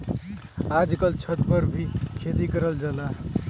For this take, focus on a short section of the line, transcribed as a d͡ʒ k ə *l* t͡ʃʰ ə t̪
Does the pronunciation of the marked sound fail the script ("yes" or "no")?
no